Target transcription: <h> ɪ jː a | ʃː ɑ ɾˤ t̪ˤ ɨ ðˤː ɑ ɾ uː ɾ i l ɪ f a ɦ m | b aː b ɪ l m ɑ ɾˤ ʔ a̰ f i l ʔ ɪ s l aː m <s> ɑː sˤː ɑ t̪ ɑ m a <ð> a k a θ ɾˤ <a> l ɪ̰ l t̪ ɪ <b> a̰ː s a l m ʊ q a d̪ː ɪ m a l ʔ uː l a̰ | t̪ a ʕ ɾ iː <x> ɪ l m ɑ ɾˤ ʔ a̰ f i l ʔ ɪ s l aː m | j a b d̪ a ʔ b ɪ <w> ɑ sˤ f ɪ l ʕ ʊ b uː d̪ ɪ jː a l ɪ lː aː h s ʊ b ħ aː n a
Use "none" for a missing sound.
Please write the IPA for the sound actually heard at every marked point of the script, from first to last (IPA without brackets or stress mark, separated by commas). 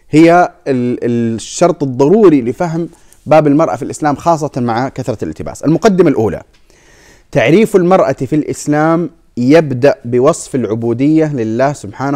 h, x, ʕ, ɑ, b, f, w